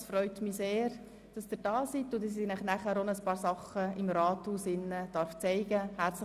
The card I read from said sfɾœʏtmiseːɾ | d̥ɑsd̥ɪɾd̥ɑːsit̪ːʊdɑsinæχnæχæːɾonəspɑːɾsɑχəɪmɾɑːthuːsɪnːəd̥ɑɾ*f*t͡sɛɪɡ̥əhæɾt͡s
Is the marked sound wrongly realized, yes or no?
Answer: no